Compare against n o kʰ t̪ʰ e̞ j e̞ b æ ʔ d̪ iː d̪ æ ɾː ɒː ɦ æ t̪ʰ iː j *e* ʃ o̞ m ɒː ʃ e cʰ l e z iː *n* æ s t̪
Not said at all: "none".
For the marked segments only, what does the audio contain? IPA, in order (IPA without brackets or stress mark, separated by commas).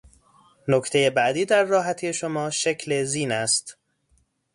e, n